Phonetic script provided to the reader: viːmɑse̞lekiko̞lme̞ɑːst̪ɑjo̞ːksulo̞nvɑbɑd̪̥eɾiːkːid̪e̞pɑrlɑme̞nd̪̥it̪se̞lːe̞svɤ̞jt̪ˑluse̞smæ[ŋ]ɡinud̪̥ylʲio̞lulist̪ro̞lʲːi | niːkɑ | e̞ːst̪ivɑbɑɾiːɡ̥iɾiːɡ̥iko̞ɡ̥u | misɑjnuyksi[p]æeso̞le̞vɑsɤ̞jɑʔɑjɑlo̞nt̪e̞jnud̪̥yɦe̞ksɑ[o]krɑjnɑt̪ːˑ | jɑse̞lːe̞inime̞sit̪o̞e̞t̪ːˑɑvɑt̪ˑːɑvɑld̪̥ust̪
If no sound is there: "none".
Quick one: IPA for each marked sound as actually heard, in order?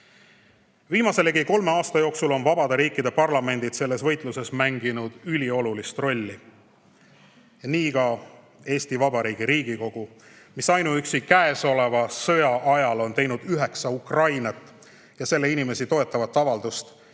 ŋ, k, u

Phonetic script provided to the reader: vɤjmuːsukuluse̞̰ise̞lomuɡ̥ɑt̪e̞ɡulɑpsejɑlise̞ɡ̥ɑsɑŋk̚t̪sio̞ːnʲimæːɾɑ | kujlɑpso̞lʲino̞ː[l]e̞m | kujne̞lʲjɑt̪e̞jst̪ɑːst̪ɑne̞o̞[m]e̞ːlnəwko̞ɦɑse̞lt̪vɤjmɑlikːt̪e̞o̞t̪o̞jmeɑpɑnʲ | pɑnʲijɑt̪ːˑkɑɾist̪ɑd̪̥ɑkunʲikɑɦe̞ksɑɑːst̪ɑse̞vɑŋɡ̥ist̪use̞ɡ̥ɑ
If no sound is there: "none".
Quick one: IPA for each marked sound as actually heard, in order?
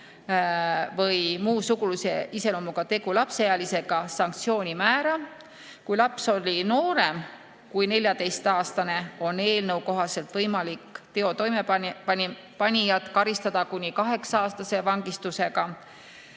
ɾ, n

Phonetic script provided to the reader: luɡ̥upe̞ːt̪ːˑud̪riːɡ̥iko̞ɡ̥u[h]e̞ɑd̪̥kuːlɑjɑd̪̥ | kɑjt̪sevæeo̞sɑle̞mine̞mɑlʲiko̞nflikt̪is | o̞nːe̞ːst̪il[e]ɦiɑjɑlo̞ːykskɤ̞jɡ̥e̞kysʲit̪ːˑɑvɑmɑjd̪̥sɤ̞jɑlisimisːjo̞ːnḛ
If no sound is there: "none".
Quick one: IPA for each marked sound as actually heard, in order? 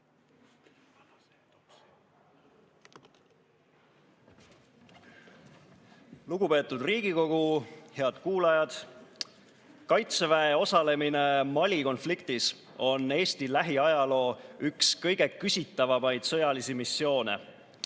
h, æ

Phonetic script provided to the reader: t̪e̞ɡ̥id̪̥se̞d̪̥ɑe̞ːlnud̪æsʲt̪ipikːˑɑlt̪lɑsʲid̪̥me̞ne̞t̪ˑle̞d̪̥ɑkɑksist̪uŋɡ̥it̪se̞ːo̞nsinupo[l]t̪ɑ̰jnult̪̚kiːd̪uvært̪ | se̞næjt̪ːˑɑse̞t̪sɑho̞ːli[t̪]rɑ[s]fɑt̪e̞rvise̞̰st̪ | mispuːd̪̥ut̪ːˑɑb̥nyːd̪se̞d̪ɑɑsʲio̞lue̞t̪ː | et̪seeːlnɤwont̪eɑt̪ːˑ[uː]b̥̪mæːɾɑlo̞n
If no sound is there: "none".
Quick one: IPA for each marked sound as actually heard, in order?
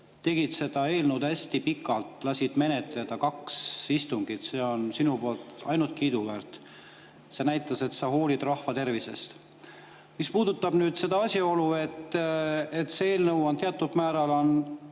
l, d̪, h, u

